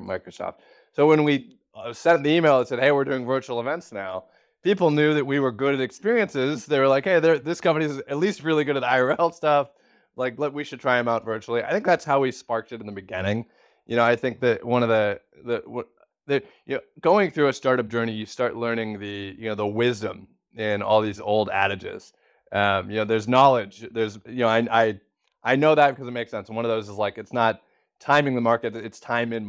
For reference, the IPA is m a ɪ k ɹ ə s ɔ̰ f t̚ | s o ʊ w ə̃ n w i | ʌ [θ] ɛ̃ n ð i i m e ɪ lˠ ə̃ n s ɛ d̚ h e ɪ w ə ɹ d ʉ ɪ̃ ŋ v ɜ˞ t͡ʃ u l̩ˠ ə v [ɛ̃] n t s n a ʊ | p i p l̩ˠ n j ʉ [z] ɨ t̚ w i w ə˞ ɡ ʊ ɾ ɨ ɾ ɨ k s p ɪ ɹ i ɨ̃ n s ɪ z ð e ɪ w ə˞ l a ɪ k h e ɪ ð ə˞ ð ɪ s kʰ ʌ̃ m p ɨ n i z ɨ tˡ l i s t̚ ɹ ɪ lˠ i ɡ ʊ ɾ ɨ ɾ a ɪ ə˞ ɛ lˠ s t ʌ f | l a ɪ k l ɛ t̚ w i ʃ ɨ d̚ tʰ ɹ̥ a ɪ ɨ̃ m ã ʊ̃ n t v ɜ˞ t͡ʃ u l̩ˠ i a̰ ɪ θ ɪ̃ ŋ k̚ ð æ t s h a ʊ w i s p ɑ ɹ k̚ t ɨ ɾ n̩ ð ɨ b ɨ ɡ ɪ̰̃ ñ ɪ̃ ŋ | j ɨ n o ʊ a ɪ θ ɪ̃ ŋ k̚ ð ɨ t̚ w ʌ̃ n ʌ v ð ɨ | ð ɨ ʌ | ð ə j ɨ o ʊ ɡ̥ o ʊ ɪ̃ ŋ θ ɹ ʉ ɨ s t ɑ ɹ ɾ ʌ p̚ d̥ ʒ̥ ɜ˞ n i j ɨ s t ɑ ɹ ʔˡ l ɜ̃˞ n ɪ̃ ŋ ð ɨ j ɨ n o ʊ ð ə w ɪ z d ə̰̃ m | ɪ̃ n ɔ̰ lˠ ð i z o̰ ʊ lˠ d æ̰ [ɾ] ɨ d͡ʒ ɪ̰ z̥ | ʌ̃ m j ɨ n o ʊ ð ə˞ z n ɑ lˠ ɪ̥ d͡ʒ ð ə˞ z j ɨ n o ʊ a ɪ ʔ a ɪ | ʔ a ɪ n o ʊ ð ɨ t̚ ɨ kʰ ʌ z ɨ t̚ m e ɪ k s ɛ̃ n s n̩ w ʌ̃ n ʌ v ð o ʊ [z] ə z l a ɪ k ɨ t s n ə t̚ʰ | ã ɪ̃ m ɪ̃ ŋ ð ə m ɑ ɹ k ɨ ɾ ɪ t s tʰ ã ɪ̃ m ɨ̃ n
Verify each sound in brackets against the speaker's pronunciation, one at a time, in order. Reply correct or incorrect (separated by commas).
incorrect, correct, incorrect, correct, correct